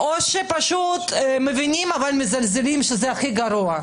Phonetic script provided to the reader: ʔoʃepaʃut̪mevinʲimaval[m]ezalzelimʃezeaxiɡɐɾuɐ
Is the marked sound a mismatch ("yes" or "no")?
no